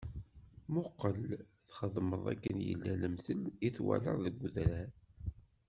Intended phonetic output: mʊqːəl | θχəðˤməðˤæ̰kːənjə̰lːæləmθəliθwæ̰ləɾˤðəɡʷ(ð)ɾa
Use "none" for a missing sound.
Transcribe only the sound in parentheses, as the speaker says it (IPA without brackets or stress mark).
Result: ð